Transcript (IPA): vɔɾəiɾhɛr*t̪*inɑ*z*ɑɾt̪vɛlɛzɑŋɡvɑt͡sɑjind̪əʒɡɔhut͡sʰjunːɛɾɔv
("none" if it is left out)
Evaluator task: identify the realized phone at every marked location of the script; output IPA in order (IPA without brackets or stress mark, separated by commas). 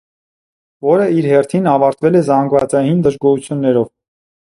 t̪ʰ, v